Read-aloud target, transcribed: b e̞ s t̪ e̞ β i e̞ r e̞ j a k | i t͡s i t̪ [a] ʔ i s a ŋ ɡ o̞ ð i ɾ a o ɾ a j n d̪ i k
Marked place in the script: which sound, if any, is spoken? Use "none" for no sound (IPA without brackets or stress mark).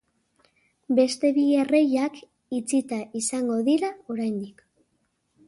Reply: a